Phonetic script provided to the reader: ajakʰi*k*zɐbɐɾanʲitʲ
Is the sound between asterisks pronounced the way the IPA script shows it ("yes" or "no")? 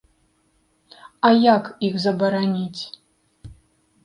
no